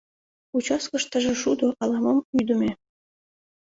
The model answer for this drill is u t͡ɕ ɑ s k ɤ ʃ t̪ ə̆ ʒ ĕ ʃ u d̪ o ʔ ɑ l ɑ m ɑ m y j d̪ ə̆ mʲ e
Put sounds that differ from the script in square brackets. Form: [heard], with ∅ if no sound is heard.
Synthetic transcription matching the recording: u t͡ɕ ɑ s k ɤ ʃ t̪ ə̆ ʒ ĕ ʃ u d̪ o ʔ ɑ l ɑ m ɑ m y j d̪ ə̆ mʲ e